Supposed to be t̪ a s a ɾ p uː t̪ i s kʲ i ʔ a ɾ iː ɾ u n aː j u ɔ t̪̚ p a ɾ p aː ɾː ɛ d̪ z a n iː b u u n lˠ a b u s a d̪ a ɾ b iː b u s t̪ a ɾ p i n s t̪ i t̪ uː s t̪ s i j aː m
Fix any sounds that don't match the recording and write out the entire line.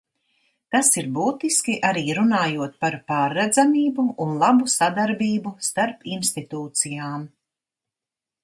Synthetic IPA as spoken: t̪ a s i ɾ b uː t̪ i s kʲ i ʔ a ɾ iː ɾ u n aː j u ɔ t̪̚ p a ɾ p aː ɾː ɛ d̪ z a m iː b u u n lˠ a b u s a d̪ a ɾ b iː b u s t̪ a ɾ p i n s t̪ i t̪ uː t̪ s i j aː m